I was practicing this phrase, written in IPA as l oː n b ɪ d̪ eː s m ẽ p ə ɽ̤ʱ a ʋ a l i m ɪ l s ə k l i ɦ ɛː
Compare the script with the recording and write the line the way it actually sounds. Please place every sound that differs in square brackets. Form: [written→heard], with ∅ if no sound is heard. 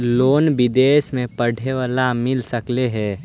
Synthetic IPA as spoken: l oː n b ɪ d̪ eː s m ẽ p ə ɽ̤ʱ [a→e] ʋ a l [i→a] m ɪ l s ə k l [i→e] ɦ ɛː